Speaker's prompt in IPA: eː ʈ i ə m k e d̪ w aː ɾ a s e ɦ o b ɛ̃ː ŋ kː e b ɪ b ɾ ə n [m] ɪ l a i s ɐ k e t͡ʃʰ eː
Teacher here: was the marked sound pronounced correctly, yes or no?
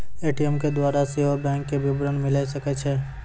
yes